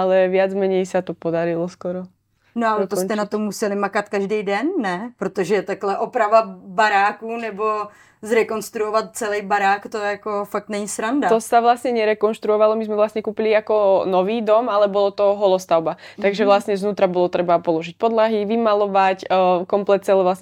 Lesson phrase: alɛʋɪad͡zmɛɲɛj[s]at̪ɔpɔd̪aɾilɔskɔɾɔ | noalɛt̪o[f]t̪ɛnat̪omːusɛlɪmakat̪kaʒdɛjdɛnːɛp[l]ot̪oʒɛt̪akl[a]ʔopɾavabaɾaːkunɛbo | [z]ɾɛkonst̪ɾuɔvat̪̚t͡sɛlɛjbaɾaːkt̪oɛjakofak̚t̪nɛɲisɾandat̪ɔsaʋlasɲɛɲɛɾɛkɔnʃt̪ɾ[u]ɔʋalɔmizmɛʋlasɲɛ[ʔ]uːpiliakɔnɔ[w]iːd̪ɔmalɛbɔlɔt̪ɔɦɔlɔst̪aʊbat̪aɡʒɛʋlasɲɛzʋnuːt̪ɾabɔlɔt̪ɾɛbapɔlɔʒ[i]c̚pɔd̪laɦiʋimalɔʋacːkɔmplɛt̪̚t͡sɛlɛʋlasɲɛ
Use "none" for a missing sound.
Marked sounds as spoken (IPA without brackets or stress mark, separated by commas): s, s, ɾ, ɛ, z, u, k, ʋ, i